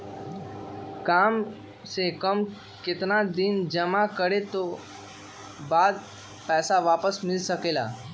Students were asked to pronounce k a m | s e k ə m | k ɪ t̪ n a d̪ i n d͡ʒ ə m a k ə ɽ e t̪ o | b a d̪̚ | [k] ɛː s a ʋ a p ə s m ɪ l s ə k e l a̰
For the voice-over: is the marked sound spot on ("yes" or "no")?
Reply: no